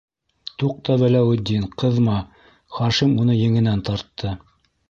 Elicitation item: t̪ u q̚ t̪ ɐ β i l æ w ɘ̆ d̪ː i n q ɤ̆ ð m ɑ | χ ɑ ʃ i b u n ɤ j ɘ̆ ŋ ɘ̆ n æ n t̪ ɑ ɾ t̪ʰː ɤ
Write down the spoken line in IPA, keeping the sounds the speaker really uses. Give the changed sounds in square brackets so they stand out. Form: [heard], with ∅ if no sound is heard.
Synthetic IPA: t̪ u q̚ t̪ [ɑ] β [æ] l æ w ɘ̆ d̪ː i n q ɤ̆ ð m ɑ | χ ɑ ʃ i [m] u n ɤ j ɘ̆ ŋ ɘ̆ n æ n t̪ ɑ ɾ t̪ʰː ɤ